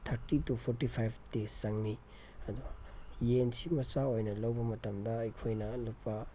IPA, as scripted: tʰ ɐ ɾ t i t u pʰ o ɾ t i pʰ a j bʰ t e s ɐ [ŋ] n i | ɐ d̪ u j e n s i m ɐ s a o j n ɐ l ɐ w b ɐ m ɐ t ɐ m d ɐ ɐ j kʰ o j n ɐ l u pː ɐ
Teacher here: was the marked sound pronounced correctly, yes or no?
yes